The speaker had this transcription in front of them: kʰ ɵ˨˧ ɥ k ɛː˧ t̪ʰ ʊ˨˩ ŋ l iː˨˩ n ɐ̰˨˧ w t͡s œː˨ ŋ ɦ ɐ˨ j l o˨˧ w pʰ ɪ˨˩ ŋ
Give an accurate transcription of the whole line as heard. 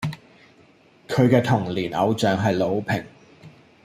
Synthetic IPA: kʰ ɵ˨˧ ɥ k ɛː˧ t̪ʰ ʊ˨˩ ŋ l iː˨˩ n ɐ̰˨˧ w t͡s œː˨ ŋ ɦ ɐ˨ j l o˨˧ w pʰ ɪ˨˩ ŋ